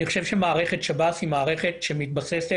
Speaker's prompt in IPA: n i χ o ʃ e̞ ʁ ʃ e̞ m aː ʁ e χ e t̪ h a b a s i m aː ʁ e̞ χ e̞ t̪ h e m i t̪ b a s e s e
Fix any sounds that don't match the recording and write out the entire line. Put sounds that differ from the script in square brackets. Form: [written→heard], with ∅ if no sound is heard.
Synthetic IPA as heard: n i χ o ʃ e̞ [ʁ→v] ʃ e̞ m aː ʁ e χ e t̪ [h→ʃ] a b a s i m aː ʁ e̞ χ e̞ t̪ [h→ʃ] e m i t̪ b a s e s e